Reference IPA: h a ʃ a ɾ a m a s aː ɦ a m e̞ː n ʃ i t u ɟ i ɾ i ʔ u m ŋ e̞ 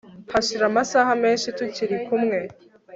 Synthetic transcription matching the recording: h a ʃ i ɾ a m a s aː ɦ a m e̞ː n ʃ i t u c i ɾ i k u m ŋ e̞